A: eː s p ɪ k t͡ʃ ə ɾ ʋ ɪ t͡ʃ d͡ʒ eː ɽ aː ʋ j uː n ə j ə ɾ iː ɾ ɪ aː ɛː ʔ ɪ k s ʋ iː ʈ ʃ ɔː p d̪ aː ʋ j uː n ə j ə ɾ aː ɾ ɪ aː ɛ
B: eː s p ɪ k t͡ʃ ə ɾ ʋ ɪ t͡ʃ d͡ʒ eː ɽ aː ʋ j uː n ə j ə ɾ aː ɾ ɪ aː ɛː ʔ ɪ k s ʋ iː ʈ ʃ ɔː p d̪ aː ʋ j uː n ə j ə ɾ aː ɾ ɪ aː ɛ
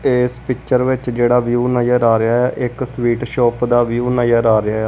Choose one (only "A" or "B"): B